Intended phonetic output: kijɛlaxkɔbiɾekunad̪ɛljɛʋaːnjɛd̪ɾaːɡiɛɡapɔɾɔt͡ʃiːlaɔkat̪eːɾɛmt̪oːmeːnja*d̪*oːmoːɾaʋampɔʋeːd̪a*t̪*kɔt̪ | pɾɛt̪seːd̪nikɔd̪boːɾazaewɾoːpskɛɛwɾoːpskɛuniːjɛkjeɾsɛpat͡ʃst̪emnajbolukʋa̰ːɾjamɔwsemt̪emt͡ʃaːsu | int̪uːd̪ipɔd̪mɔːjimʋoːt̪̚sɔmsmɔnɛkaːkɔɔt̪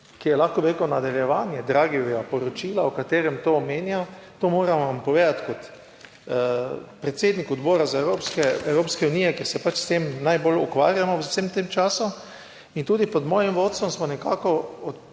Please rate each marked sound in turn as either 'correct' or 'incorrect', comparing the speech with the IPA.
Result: incorrect, correct

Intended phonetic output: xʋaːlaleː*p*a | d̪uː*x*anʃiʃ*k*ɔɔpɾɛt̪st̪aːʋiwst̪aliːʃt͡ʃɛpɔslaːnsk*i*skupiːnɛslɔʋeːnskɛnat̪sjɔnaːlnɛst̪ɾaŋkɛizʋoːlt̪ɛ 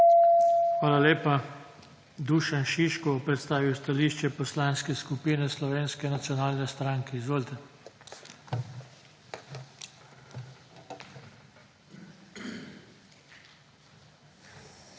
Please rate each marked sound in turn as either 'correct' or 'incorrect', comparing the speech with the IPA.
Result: correct, incorrect, correct, incorrect

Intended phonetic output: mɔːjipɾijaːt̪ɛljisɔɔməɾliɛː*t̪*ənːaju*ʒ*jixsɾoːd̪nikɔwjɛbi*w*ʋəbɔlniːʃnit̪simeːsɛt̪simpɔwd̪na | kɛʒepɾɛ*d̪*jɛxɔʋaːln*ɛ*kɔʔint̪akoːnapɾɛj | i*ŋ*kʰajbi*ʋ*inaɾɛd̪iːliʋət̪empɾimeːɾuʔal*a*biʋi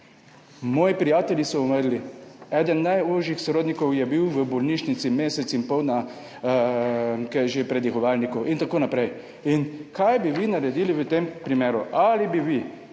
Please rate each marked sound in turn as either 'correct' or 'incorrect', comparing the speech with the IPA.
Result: incorrect, correct, correct, correct, incorrect, incorrect, correct, incorrect

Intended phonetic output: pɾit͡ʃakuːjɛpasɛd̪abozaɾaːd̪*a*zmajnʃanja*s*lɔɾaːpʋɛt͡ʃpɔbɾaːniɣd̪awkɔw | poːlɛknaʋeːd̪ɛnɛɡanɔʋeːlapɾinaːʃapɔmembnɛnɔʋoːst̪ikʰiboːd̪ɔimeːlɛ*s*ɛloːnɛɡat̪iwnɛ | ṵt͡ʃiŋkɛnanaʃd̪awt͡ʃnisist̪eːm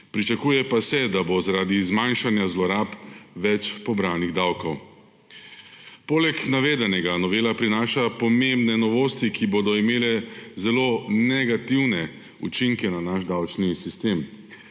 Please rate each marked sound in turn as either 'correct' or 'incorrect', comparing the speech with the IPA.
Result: incorrect, incorrect, incorrect

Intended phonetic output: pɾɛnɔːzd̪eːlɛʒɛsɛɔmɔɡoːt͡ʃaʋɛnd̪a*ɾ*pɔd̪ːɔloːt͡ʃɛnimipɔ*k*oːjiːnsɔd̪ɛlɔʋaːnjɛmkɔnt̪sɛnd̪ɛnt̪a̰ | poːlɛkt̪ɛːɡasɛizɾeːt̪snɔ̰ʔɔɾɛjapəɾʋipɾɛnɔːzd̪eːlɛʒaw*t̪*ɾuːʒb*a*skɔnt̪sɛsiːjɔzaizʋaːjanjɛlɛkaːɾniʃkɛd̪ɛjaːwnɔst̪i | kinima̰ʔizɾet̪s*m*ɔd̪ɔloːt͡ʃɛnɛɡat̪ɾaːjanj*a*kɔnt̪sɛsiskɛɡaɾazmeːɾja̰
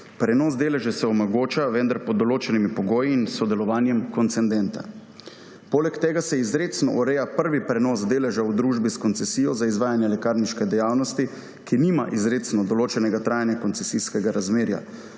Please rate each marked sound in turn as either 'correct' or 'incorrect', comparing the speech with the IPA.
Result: correct, incorrect, incorrect, incorrect, incorrect, correct

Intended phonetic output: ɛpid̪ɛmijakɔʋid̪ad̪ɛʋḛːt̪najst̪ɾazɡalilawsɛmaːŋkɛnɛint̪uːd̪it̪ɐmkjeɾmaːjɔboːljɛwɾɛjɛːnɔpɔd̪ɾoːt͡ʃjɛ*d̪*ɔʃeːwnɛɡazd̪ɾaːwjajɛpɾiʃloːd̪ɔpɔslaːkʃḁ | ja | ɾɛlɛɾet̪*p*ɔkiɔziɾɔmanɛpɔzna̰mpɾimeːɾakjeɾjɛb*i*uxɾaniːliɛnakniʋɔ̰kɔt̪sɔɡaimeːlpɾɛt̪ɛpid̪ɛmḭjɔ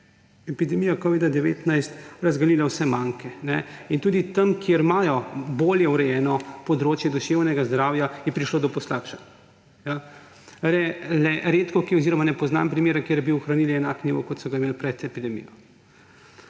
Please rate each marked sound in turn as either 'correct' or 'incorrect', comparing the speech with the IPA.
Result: correct, incorrect, correct

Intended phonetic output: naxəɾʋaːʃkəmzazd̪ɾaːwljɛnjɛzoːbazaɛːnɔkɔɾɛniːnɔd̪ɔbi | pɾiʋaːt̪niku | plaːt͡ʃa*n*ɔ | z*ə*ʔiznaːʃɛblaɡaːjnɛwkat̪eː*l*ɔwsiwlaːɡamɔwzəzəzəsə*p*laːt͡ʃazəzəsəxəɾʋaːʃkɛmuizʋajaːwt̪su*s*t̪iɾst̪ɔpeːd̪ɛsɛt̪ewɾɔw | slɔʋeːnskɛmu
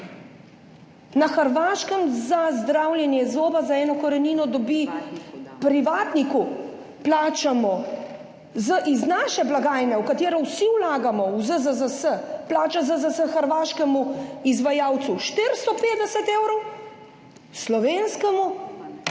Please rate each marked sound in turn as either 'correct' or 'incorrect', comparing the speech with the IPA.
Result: incorrect, correct, incorrect, correct, incorrect

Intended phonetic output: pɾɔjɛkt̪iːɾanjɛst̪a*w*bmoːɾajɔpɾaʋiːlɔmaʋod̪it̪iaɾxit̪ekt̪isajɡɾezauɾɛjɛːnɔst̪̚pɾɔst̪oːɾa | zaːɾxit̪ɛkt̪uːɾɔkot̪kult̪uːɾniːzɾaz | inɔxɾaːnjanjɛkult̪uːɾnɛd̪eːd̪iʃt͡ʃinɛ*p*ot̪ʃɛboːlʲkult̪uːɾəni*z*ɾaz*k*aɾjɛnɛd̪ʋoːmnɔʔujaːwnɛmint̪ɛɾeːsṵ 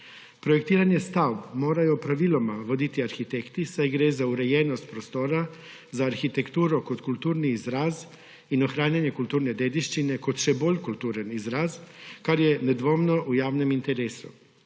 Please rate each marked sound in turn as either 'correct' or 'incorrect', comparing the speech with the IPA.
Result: correct, incorrect, correct, correct

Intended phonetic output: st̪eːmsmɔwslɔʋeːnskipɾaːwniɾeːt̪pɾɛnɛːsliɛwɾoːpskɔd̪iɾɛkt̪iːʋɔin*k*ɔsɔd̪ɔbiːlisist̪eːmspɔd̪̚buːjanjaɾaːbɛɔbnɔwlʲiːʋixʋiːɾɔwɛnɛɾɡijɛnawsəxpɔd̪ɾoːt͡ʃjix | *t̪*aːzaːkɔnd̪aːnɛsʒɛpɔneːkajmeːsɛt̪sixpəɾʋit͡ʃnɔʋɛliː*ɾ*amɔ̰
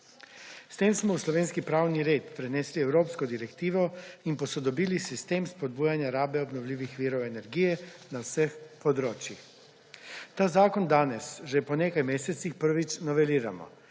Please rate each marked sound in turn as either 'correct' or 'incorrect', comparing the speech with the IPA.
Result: incorrect, correct, correct

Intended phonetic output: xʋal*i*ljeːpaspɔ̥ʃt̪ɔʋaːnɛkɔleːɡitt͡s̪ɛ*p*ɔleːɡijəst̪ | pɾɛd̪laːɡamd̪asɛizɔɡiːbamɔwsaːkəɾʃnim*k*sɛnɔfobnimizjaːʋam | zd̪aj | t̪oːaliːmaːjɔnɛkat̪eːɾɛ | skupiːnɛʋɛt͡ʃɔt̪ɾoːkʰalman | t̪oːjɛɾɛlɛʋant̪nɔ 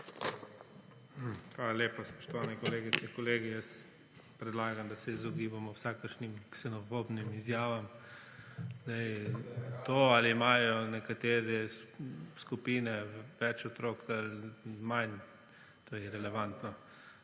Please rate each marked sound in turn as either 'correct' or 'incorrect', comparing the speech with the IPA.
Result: incorrect, incorrect, correct

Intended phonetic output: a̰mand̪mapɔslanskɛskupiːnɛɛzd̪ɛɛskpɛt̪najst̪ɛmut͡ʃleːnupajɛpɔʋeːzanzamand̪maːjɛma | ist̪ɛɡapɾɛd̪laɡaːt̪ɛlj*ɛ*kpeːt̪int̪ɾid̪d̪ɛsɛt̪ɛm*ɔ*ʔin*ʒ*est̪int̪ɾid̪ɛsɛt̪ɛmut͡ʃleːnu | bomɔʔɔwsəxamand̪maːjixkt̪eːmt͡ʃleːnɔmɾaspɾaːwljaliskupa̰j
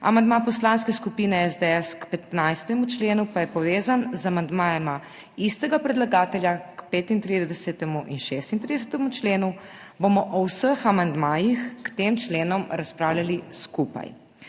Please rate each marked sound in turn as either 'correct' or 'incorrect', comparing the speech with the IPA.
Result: incorrect, incorrect, incorrect

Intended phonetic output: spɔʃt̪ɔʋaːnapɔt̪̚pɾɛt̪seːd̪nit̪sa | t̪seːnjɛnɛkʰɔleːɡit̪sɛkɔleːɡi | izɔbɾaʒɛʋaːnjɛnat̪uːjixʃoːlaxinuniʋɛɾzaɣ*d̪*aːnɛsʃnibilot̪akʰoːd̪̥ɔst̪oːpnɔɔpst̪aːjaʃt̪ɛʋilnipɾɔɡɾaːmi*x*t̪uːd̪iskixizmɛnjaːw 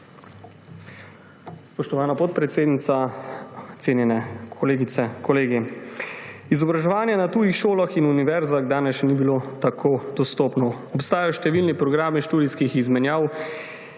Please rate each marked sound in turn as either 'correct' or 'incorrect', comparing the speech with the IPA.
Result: correct, incorrect

